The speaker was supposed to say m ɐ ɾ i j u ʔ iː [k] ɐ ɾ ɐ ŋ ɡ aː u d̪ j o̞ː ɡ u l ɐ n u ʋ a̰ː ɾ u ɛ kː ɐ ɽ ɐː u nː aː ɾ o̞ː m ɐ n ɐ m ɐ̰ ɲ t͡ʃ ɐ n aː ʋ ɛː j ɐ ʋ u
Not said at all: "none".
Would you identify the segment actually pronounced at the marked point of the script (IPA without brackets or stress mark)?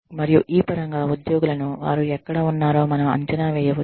p